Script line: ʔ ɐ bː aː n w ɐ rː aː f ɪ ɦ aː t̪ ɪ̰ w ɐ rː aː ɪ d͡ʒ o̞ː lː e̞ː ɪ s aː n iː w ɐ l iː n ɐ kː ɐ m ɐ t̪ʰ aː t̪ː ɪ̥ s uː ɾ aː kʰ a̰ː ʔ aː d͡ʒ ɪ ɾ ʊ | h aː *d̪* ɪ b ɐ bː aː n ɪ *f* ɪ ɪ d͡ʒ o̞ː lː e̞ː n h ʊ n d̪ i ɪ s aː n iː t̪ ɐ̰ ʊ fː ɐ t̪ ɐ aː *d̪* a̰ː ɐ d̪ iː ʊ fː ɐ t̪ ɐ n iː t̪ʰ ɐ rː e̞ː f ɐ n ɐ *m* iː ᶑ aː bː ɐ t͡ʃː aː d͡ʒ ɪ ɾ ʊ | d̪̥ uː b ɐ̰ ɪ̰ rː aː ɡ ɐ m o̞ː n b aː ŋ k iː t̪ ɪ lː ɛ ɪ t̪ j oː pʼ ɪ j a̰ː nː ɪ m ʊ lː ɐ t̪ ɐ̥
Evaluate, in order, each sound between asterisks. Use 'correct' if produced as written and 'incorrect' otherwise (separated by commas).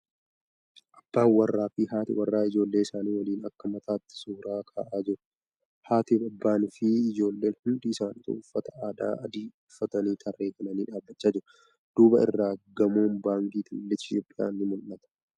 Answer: incorrect, correct, correct, incorrect